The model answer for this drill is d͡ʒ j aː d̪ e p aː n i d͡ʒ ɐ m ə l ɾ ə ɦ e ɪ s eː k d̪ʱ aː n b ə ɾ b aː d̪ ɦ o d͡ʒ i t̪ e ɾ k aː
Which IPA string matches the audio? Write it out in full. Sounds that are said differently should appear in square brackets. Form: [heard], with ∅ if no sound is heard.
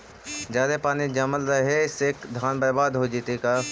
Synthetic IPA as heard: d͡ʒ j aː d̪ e p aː n i d͡ʒ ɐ m ə l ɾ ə ɦ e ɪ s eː k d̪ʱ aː n b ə ɾ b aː d̪ ɦ o d͡ʒ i t̪ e [∅] k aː